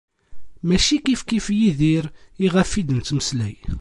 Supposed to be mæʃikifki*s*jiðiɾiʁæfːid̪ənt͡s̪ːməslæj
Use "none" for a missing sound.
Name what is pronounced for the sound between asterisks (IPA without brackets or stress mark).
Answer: f